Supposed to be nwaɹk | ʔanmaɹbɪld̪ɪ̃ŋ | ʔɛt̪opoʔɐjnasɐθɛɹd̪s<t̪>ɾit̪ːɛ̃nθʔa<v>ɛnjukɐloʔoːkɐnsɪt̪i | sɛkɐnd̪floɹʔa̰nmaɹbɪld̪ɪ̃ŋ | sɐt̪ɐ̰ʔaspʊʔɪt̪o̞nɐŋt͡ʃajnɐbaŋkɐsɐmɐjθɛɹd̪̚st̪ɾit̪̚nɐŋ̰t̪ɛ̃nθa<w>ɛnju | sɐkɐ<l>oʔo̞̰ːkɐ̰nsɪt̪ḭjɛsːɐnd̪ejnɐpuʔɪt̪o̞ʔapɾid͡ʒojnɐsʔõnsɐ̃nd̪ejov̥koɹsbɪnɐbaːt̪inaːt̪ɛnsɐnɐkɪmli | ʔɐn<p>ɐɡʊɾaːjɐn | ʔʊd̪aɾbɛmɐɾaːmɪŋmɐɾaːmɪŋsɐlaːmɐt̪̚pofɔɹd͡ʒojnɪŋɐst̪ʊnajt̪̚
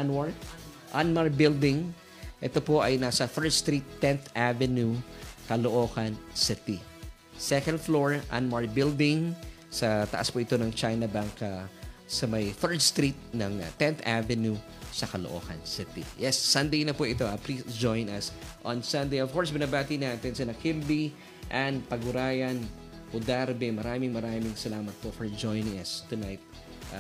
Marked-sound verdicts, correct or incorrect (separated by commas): correct, correct, incorrect, correct, correct